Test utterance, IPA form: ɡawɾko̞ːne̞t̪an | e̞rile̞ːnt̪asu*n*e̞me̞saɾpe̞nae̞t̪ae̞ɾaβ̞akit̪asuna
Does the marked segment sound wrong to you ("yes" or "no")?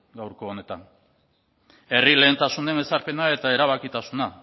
no